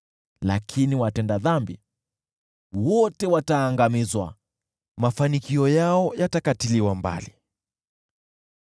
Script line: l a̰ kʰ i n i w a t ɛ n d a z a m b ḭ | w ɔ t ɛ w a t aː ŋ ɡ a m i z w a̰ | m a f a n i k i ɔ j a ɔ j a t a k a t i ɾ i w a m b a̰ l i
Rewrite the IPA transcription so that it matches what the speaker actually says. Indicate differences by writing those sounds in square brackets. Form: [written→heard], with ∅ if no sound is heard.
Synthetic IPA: l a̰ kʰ i n i w a t ɛ n d a [z→ð] a m b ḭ | w ɔ t ɛ w a t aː ŋ ɡ a m i z w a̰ | m a f a n i k i ɔ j a ɔ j a t a k a t i [ɾ→l] i w a m b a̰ l i